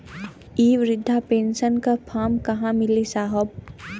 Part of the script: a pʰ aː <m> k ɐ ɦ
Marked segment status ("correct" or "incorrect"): correct